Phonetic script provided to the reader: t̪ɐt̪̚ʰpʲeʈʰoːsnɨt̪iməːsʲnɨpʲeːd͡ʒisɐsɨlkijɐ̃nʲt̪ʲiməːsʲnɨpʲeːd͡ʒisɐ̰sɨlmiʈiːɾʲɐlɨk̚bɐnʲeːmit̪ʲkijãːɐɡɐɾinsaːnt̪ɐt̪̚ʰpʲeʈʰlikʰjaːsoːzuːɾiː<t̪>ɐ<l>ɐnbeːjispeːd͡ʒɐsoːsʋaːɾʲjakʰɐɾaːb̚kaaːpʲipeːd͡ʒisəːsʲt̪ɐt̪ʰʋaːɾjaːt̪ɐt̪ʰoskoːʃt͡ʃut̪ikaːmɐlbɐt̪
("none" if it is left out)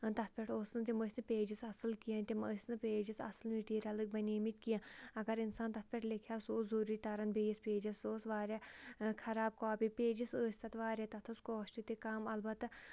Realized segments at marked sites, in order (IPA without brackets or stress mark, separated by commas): t̪, ɾ